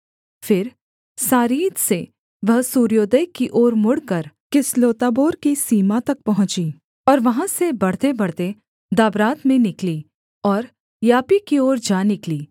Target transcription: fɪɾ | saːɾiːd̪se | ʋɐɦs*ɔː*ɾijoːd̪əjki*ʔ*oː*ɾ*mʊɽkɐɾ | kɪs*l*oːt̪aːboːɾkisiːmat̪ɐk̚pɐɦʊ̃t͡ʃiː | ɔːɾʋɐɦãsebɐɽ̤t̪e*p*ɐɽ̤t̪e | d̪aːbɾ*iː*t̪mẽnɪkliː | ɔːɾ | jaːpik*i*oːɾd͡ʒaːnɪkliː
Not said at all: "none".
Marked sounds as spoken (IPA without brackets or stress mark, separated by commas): uː, ʔ, ɾ, l, b, aː, i